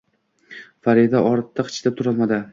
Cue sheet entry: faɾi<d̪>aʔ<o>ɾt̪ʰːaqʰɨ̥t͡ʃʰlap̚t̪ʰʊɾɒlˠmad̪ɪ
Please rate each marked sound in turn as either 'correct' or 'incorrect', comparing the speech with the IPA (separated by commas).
correct, incorrect